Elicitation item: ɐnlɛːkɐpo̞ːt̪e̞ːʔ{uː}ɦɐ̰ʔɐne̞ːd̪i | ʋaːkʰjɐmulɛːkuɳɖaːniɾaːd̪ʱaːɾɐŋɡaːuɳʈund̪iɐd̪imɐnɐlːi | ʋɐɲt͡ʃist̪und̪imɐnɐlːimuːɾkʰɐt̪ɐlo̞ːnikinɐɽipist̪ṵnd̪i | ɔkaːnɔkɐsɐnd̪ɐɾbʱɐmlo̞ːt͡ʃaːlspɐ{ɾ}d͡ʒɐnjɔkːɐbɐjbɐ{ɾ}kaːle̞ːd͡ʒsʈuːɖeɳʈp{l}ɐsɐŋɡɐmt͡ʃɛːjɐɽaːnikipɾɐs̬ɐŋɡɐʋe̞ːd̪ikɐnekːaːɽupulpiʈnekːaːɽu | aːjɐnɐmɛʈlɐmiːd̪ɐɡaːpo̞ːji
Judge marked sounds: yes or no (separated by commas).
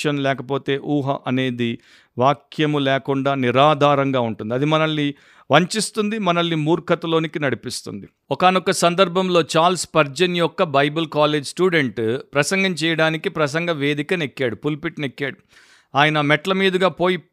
yes, yes, no, no